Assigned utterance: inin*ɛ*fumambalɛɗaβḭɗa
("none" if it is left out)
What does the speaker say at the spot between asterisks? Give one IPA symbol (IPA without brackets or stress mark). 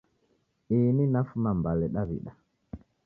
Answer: a